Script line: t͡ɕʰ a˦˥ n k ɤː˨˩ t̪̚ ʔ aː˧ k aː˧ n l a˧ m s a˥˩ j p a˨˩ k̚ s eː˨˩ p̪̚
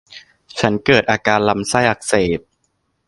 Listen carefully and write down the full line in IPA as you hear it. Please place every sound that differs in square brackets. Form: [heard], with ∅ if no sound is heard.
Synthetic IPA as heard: t͡ɕʰ a˦˥ n k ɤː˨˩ t̪̚ ʔ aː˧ k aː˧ n l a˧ m s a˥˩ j [ʔ] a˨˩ k̚ s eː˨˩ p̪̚